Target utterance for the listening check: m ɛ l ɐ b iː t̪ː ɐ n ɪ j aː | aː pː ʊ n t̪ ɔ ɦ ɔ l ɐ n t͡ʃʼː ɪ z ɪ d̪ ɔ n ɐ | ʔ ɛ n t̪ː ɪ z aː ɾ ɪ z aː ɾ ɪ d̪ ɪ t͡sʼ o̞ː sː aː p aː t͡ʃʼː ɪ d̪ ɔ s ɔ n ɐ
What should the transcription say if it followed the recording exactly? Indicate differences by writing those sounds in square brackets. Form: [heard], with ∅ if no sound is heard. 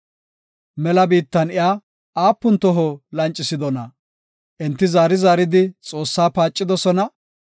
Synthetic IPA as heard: m ɛ l ɐ b iː t̪ː ɐ n ɪ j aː | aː pː ʊ n t̪ ɔ ɦ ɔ l ɐ n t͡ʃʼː ɪ [s] ɪ d̪ ɔ n ɐ | ʔ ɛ n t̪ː ɪ z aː ɾ ɪ z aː ɾ ɪ d̪ ɪ t͡sʼ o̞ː sː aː p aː t͡ʃʼː ɪ d̪ ɔ s ɔ n ɐ